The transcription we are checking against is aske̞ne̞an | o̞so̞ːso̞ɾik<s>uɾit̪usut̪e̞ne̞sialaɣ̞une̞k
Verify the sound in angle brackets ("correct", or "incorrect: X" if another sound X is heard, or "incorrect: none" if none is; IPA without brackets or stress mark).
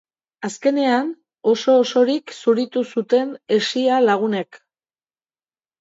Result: correct